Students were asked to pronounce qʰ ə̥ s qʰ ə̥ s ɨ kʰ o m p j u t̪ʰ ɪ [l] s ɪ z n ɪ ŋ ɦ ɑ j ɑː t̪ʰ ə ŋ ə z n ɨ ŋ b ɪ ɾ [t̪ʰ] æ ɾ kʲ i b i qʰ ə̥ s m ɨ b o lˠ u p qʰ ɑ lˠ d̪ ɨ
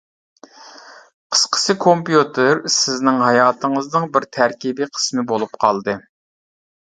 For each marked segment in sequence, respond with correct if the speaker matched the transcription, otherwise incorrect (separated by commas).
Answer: incorrect, correct